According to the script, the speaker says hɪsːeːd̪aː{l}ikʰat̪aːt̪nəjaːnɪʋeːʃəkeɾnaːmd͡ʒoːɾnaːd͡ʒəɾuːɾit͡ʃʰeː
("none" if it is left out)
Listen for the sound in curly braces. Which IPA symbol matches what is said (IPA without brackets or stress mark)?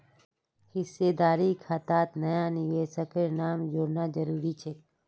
ɾ